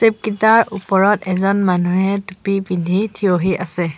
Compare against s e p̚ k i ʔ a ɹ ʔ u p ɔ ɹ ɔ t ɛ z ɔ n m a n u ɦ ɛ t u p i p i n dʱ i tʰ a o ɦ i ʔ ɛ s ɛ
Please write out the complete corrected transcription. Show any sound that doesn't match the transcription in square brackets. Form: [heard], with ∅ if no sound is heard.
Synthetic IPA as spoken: s e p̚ k i [t] a ɹ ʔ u p ɔ ɹ ɔ t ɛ z ɔ n m a n u ɦ ɛ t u p i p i n dʱ i tʰ [i] o ɦ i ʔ [a] s ɛ